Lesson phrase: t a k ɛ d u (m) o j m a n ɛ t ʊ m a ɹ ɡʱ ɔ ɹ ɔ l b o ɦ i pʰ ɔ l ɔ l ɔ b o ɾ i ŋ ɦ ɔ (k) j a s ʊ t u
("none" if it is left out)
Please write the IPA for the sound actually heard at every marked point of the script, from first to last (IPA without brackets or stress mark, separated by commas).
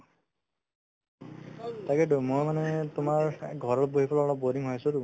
m, none